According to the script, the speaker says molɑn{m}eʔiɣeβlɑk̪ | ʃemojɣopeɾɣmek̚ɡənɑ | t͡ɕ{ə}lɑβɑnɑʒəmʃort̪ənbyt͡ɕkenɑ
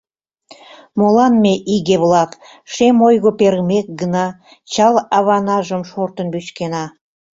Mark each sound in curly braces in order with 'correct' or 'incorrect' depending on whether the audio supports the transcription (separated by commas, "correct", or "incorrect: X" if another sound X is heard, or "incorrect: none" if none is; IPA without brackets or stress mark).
correct, incorrect: ɑ